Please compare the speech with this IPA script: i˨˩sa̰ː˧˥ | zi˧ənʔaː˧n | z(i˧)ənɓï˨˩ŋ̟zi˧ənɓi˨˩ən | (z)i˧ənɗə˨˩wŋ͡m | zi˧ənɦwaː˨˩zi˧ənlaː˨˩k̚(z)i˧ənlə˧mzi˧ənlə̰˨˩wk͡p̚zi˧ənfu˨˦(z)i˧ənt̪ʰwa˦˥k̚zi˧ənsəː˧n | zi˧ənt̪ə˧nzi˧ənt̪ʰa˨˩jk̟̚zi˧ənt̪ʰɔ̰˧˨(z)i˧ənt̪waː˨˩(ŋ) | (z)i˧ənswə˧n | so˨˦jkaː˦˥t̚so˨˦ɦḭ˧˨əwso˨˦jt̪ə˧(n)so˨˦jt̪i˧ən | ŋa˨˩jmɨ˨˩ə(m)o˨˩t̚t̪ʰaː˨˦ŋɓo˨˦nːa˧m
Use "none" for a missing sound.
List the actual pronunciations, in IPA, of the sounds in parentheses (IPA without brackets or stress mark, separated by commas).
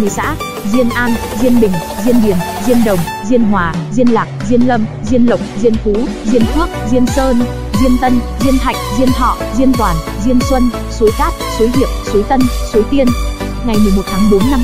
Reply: i˧, z, z, z, z, n, z, n, m